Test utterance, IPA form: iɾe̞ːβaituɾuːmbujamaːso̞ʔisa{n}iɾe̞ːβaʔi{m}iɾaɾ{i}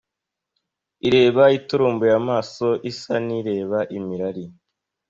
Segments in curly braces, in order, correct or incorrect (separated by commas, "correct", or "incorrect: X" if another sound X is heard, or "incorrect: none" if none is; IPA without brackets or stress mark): correct, correct, correct